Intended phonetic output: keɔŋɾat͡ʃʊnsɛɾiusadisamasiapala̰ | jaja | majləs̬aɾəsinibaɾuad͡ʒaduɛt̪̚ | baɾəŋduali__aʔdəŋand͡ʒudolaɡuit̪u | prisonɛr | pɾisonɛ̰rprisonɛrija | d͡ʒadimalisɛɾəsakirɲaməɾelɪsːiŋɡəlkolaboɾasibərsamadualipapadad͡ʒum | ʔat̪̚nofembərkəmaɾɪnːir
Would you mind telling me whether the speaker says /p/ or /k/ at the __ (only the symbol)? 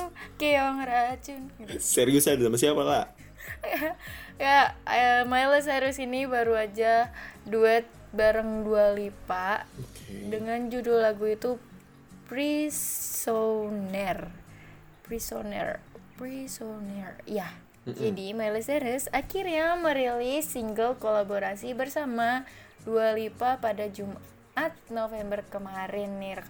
p